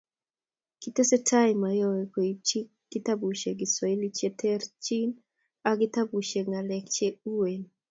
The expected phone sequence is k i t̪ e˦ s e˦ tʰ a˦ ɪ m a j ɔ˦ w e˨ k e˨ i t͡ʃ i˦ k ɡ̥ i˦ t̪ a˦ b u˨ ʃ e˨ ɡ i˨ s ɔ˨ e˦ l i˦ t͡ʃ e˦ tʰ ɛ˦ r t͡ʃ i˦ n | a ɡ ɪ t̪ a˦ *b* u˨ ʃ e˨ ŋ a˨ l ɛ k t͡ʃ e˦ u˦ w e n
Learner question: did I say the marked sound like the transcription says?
yes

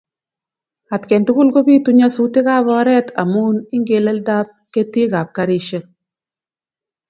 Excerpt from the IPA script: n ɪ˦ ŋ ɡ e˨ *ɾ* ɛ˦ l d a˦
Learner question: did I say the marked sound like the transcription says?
no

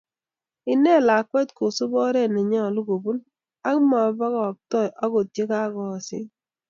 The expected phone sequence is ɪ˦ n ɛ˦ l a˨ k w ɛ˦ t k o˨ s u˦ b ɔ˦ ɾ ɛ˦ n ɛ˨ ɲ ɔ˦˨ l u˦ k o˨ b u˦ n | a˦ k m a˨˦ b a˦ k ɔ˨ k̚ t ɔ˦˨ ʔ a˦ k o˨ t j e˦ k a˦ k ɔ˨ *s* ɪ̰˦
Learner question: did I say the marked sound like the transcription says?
yes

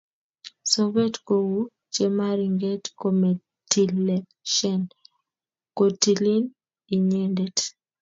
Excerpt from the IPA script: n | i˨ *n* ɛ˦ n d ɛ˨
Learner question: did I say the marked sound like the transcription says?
no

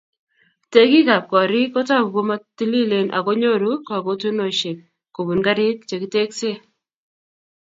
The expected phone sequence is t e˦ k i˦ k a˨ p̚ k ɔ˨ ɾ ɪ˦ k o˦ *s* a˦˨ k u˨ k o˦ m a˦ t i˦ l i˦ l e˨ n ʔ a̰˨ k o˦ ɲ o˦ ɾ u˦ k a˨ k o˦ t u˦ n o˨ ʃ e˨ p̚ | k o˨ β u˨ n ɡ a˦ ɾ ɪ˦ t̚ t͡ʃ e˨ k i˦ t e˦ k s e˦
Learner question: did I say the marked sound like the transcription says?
no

